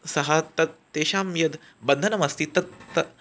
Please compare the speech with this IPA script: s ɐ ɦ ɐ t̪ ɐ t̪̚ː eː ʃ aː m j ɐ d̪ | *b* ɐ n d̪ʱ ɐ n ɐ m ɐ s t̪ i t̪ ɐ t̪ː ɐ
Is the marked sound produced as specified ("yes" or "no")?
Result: yes